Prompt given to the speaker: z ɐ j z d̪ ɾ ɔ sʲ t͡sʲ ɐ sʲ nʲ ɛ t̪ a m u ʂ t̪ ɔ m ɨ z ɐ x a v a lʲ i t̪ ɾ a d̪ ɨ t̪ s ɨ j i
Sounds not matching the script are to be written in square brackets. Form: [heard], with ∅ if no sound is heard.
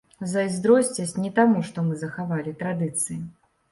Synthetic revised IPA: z ɐ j z d̪ ɾ ɔ sʲ t͡sʲ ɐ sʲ nʲ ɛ t̪ a m u ʂ t̪ ɔ m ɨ z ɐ x a v a lʲ i t̪ ɾ a d̪ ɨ t̪ s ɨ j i